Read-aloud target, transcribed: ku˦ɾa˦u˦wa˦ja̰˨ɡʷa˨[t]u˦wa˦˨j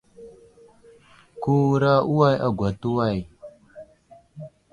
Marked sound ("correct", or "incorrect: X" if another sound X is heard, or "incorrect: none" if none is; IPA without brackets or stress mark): correct